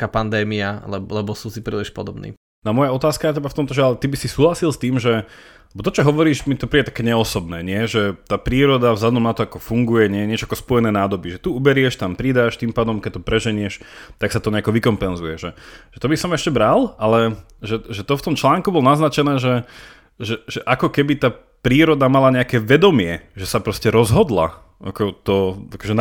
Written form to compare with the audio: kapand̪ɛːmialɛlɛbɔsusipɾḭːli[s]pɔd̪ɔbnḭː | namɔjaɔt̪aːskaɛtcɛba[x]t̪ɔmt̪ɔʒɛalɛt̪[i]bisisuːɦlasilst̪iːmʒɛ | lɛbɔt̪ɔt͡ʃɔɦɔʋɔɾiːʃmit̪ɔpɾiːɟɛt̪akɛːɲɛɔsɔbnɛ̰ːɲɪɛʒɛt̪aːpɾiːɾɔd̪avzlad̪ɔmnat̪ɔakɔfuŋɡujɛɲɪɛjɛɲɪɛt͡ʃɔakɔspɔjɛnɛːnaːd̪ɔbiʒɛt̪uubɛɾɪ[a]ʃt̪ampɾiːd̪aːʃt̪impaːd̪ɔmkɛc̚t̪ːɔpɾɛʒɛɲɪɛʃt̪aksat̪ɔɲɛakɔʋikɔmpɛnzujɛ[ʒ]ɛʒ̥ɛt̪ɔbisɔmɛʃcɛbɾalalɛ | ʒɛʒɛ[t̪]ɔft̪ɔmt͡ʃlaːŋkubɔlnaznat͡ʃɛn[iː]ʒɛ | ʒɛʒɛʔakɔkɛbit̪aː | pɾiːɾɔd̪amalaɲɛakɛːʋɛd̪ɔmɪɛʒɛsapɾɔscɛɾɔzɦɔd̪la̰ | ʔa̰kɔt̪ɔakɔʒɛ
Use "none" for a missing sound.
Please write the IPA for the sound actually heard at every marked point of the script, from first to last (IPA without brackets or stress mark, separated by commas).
ʃ, f, i, ɛ, ʒ, t̪, ɛː